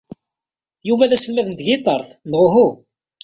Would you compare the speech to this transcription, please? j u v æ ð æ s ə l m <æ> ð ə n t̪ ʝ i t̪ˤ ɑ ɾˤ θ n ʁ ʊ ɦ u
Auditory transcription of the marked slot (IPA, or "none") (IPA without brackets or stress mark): æ